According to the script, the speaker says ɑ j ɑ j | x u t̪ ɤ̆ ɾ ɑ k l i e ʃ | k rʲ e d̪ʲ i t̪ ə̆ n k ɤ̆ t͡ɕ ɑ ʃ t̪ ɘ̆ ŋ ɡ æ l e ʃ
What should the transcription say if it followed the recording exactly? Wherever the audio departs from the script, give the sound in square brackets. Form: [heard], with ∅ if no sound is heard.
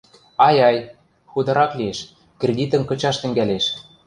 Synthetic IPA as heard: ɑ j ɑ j | x u [d̪] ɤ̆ ɾ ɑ k l i e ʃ | k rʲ e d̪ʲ i t̪ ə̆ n k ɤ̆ t͡ɕ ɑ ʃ t̪ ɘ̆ ŋ ɡ æ l e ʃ